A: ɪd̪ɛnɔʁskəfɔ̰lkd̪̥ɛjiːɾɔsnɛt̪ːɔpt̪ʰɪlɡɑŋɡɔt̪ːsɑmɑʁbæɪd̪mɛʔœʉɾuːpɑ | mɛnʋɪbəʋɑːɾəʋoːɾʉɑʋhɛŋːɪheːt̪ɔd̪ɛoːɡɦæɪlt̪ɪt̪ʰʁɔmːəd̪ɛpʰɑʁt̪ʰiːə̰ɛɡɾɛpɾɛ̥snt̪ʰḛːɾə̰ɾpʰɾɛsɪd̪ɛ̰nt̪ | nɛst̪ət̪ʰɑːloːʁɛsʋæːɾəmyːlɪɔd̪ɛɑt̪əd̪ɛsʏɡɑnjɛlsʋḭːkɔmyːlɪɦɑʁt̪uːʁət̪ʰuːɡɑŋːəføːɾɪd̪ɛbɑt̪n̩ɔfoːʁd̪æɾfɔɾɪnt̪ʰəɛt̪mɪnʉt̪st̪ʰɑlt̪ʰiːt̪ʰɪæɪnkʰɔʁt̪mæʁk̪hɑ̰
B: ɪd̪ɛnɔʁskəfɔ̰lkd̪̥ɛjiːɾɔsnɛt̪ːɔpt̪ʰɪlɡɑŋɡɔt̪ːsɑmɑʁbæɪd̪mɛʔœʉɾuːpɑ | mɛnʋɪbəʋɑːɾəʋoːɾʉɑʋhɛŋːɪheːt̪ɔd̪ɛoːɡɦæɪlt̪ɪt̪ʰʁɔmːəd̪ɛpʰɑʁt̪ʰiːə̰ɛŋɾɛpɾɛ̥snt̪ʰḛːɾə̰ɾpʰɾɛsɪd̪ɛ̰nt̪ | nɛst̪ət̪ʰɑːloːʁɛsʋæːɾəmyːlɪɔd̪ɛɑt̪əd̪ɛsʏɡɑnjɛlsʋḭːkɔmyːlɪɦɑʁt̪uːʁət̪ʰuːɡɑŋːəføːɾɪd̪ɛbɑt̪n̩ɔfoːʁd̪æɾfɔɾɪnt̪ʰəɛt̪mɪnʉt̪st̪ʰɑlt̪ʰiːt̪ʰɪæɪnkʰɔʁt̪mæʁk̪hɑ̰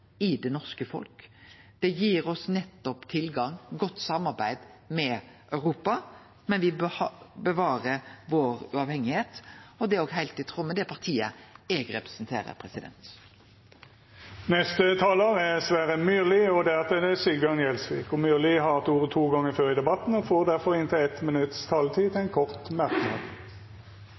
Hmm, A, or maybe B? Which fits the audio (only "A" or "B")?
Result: A